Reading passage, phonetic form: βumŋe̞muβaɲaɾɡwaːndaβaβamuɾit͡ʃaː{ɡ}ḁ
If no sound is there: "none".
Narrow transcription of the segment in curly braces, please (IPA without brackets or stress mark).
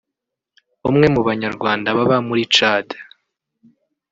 d